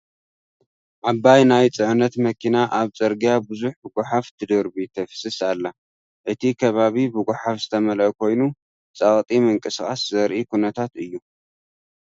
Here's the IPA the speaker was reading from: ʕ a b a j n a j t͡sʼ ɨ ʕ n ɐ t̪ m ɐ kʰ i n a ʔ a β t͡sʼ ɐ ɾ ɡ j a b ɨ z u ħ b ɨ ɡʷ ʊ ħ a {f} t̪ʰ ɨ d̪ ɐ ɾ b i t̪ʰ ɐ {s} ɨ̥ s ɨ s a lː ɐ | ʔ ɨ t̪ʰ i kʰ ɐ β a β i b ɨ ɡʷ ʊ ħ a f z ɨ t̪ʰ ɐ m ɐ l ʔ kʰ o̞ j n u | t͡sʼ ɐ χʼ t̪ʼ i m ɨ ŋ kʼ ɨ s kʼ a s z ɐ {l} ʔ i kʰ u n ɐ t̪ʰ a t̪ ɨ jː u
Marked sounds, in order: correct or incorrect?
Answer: correct, incorrect, incorrect

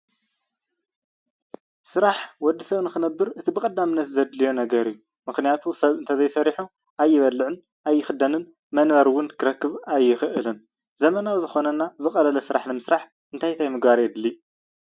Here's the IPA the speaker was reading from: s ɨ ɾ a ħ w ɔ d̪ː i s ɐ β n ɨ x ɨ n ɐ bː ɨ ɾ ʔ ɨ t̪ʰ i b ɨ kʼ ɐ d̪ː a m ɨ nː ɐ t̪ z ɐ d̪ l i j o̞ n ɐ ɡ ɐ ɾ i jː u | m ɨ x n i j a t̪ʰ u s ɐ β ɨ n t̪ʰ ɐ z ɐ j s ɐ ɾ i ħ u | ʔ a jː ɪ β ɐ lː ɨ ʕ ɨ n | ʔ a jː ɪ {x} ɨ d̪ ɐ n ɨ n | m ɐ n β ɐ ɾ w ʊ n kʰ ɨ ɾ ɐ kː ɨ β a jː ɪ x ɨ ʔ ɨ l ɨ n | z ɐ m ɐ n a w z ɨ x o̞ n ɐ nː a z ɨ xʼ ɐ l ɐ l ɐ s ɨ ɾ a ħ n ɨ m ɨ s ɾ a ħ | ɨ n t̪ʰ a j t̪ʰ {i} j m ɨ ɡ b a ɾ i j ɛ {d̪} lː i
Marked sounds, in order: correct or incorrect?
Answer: correct, incorrect, correct

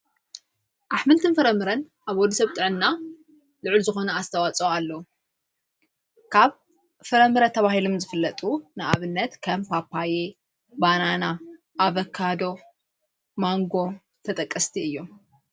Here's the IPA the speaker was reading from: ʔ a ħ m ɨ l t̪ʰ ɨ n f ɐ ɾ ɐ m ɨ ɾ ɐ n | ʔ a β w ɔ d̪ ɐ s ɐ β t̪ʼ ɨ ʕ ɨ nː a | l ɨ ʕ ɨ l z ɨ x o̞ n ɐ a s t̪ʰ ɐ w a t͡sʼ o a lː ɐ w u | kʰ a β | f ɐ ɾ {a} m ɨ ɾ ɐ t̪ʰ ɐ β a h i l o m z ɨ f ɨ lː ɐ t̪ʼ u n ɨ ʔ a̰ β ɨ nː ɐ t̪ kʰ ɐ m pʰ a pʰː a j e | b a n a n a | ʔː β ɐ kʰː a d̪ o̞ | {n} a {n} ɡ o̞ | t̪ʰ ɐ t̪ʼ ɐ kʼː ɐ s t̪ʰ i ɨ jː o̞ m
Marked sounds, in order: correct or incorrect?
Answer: incorrect, incorrect, incorrect

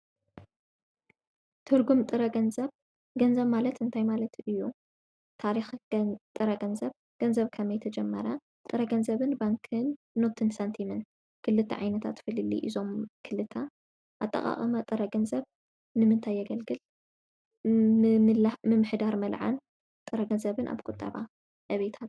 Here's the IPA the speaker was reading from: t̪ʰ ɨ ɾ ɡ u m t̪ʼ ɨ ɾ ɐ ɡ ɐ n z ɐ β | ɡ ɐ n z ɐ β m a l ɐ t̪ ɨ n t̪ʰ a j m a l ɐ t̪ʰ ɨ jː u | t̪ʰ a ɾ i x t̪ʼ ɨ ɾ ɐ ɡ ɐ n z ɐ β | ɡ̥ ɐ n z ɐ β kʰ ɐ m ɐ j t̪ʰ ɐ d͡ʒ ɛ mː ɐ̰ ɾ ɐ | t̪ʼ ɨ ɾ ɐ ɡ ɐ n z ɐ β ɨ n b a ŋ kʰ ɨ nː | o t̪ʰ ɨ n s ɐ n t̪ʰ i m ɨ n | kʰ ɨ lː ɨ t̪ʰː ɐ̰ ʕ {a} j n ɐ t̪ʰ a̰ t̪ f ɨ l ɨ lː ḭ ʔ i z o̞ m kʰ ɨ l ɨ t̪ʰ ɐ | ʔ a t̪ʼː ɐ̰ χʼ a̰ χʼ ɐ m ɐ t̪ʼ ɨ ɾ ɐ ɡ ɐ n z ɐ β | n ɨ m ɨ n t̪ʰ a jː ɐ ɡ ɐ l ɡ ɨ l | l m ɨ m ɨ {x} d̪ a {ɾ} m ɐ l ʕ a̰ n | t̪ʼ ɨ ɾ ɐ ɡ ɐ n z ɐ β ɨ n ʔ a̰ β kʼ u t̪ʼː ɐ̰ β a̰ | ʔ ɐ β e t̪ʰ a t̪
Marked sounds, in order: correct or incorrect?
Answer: correct, incorrect, correct

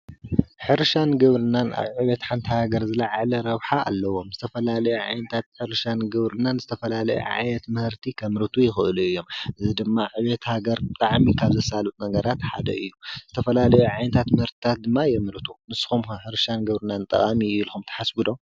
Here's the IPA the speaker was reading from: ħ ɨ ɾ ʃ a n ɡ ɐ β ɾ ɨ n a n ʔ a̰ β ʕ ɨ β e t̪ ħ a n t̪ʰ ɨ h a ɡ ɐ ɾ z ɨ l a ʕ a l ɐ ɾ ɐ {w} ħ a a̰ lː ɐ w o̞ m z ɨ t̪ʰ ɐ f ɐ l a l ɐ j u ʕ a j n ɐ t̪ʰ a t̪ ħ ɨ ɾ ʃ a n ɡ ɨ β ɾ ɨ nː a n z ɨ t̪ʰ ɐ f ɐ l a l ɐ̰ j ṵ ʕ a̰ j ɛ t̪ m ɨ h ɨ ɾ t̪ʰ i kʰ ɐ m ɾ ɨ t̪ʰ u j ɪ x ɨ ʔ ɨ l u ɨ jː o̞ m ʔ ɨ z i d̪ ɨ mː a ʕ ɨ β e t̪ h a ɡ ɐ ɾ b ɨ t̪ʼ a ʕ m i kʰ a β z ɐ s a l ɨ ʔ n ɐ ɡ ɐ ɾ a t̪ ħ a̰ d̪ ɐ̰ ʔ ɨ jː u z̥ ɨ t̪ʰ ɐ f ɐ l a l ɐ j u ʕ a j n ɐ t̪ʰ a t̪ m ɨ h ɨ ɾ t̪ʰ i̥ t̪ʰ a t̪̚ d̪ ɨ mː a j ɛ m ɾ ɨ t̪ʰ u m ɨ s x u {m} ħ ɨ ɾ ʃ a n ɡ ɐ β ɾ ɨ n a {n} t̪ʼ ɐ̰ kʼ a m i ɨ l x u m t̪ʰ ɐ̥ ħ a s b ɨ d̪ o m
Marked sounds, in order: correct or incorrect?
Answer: incorrect, correct, correct

